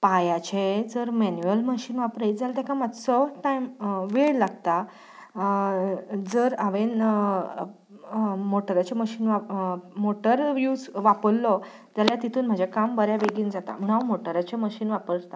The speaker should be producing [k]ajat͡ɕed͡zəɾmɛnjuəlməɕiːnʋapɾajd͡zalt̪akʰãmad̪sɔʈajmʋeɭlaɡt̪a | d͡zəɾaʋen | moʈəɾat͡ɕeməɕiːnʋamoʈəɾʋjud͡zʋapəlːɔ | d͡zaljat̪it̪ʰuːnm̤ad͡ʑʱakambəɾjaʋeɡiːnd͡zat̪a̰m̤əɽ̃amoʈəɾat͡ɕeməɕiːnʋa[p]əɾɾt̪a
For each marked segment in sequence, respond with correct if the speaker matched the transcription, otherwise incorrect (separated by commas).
incorrect, correct